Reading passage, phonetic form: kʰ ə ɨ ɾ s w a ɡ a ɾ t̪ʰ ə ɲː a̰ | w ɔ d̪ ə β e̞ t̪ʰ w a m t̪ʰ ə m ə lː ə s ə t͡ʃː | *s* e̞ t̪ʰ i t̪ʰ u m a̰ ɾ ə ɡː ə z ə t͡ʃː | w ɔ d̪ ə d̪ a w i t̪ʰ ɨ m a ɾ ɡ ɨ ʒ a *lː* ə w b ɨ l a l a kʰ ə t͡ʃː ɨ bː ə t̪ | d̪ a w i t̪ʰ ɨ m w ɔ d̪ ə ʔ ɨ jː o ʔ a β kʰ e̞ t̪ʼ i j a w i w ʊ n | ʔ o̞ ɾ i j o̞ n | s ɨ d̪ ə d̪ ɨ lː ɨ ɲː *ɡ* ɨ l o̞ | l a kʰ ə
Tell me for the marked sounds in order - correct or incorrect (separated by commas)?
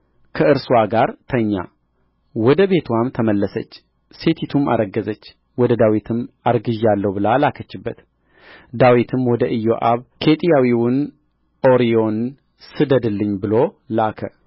correct, correct, incorrect